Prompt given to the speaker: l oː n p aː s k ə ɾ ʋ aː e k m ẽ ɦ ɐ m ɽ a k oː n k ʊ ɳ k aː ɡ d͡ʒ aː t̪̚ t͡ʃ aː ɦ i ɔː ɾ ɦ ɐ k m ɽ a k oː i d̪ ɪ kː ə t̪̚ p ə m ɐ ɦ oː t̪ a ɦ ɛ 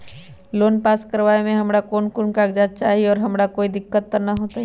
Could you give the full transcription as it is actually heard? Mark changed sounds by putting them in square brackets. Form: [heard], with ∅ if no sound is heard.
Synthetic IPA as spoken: l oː n p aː s k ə ɾ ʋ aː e [∅] m ẽ ɦ ɐ m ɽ a k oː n k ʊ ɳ k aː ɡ d͡ʒ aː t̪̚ t͡ʃ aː ɦ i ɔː ɾ ɦ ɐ [∅] m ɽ a k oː i d̪ ɪ kː ə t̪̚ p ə [n] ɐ ɦ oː t̪ a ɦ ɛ